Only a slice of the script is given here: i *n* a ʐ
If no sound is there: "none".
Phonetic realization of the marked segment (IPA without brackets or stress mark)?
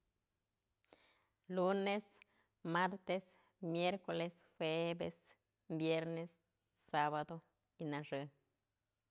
n